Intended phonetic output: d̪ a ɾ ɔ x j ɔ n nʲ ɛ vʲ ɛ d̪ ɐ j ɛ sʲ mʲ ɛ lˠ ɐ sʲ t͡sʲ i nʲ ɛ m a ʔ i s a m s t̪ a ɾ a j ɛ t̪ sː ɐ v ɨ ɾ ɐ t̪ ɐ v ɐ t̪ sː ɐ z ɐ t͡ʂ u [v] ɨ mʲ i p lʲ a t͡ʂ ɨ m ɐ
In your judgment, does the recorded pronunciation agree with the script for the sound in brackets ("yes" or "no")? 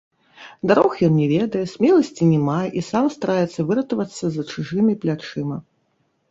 no